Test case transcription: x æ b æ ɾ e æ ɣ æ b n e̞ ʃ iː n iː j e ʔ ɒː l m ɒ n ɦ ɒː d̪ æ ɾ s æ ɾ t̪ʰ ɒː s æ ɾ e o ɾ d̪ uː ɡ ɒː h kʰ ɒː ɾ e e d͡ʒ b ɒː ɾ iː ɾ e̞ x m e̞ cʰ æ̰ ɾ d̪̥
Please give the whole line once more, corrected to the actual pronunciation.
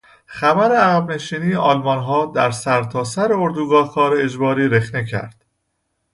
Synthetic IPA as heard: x æ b æ ɾ e æ ɣ æ b n e̞ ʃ iː n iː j e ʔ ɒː l m ɒ n ɦ ɒː d̪ æ ɾ s æ ɾ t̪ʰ ɒː s æ ɾ e o ɾ d̪ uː ɡ ɒː h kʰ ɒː ɾ e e d͡ʒ b ɒː ɾ iː ɾ e̞ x n e̞ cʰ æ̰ ɾ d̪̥